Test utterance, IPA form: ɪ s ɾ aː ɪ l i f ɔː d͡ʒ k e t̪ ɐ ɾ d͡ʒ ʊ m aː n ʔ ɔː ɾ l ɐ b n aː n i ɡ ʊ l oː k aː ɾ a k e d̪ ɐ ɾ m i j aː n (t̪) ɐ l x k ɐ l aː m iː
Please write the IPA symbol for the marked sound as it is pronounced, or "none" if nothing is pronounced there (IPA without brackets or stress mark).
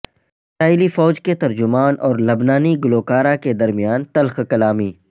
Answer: t̪